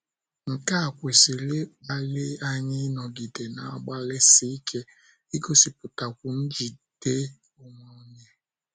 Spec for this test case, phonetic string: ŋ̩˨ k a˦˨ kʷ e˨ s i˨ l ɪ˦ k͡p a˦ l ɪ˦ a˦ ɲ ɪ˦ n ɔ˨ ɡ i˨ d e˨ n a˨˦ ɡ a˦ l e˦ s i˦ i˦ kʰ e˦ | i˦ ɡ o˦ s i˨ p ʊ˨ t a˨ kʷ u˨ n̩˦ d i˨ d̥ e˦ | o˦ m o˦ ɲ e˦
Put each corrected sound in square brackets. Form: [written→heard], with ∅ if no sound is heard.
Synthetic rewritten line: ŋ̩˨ k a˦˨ kʷ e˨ s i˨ l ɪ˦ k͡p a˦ l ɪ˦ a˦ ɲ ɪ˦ n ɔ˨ ɡ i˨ d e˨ n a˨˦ [ɡ→ɡ͡b] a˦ l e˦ s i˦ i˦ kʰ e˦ | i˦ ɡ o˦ s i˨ p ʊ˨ t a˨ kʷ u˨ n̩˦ [d→d͡ʒ] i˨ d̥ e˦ | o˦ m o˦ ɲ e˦